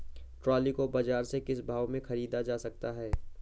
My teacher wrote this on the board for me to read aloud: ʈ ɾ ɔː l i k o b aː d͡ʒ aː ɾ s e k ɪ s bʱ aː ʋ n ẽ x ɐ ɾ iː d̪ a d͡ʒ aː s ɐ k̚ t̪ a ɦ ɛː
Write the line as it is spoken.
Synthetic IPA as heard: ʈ ɾ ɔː l i k o b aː d͡ʒ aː ɾ s e k ɪ s bʱ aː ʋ m ẽ x ɐ ɾ iː d̪ a d͡ʒ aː s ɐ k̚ t̪ a ɦ ɛː